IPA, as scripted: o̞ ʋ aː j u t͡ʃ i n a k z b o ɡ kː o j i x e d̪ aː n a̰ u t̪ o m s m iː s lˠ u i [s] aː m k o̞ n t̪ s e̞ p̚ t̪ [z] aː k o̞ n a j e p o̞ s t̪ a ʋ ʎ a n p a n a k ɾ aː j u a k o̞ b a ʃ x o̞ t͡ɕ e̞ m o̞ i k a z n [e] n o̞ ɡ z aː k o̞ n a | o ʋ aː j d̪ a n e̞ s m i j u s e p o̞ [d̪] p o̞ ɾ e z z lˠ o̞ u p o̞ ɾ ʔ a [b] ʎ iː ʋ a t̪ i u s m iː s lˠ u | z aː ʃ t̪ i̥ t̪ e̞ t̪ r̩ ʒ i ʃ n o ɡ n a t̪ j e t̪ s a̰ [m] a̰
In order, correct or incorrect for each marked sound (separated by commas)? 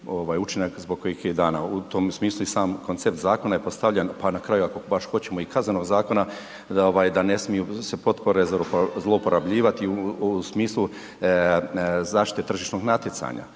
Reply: correct, correct, correct, incorrect, correct, incorrect